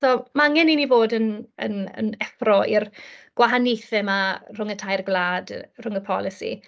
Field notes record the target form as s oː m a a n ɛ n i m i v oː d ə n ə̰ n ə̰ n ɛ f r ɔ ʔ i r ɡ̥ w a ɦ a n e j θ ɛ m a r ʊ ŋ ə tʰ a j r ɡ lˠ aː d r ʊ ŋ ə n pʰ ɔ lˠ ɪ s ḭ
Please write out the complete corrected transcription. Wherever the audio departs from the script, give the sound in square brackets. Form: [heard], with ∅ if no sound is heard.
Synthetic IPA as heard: s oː m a a [ŋ] ɛ n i [n] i v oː d ə n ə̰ n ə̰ n ɛ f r ɔ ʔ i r ɡ̥ w a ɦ a n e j θ ɛ m a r ʊ ŋ ə tʰ a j r ɡ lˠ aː d r ʊ ŋ ə [∅] pʰ ɔ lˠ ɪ s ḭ